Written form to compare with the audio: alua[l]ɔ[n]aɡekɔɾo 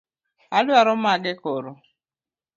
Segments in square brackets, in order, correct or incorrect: incorrect: ɾ, incorrect: m

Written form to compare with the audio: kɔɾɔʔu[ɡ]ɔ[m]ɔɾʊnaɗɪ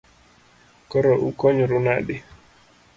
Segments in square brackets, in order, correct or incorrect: incorrect: k, incorrect: ɲ

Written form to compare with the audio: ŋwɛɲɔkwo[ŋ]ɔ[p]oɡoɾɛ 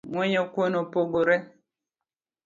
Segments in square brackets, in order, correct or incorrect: incorrect: n, correct

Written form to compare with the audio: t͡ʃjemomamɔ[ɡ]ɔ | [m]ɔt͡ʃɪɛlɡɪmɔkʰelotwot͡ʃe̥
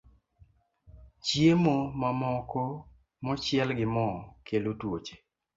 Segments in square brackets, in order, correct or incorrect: incorrect: k, correct

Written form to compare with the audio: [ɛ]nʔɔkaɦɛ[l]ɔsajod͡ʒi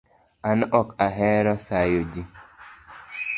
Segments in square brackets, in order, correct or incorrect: incorrect: a, incorrect: ɾ

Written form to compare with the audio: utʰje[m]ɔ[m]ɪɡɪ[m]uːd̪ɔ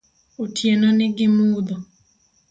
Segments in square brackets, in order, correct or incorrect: incorrect: n, incorrect: n, correct

